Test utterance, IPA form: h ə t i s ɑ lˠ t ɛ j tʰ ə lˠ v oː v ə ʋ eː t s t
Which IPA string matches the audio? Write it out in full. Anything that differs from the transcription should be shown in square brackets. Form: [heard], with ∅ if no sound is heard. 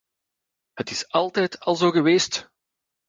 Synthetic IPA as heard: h ə t [ɪ] s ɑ lˠ t ɛ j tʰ [ɑ] lˠ [z] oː [ɣ] ə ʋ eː [∅] s t